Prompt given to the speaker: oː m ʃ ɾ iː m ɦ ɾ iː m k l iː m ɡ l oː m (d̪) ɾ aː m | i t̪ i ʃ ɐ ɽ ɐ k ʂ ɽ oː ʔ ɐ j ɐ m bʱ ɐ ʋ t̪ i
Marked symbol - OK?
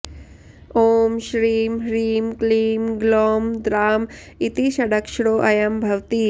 yes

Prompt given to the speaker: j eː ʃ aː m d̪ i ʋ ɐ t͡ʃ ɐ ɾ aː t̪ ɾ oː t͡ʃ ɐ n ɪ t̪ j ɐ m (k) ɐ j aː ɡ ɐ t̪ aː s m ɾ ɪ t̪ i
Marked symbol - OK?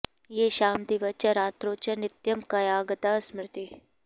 yes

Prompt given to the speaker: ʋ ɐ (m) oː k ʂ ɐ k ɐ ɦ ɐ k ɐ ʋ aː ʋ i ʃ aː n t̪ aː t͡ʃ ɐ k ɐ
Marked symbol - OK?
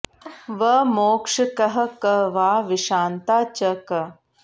yes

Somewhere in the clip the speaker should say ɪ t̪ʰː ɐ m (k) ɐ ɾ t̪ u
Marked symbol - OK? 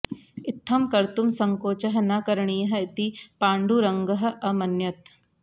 yes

